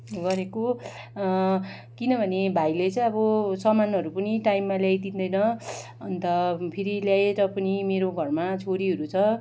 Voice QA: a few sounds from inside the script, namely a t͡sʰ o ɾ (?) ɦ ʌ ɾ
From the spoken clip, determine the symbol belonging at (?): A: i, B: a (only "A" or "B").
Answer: A